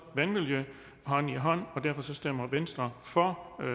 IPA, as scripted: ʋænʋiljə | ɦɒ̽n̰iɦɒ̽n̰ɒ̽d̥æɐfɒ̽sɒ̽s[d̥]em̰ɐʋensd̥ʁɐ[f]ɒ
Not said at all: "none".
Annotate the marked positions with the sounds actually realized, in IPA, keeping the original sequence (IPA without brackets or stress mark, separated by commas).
d̥, f